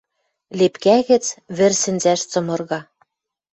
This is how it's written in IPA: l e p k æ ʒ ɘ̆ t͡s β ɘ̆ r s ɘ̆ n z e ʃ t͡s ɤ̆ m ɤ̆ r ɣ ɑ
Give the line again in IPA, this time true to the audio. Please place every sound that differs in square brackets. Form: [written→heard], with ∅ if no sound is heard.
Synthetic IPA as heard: l e p k æ [ʒ→ɣ] ɘ̆ t͡s β ɘ̆ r s ɘ̆ n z [e→æ] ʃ t͡s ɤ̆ m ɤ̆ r ɣ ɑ